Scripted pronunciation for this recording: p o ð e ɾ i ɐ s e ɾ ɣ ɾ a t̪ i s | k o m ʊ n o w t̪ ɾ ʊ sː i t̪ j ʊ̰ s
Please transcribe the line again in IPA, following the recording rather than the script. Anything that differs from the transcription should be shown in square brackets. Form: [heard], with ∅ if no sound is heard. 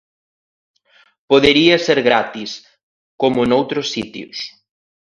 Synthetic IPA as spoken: p o ð e ɾ i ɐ s e ɾ ɣ ɾ a t̪ i s | k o m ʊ n o w t̪ ɾ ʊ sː i t̪ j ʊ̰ s